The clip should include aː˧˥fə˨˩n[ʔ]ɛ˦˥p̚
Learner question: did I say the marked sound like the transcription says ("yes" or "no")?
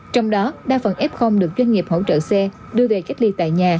yes